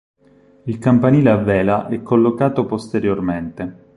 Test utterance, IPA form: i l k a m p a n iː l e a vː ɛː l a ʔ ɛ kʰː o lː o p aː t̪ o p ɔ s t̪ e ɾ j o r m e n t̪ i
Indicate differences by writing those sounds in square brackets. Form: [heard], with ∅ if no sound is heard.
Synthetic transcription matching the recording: i l k a m p a n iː l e a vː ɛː l a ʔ ɛ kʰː o lː o [k] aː t̪ o p [o] s t̪ e ɾ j o r m e n t̪ [e]